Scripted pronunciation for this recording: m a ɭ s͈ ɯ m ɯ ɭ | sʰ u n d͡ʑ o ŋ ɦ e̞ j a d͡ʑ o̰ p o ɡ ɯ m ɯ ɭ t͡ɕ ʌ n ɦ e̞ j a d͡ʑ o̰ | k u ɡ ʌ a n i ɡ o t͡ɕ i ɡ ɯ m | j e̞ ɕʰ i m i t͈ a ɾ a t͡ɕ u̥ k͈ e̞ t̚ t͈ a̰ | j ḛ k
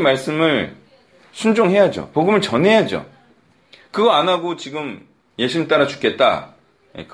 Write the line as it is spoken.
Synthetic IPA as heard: m a ɭ s͈ ɯ m ɯ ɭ | sʰ u n d͡ʑ o ŋ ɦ e̞ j a d͡ʑ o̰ p o ɡ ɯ m ɯ ɭ t͡ɕ ʌ n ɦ e̞ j a d͡ʑ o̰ | k ɯ ɡ ʌ a n a ɡ o t͡ɕ i ɡ ɯ m | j e̞ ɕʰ i m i t͈ a ɾ a t͡ɕ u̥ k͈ e̞ t̚ t͈ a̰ | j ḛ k